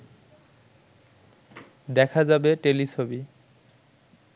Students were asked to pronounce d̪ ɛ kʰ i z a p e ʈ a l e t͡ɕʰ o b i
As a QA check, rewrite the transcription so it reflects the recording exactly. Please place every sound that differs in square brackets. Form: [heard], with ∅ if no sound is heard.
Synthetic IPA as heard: d̪ ɛ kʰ [a] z a [b] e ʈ [e] l [i] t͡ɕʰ o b i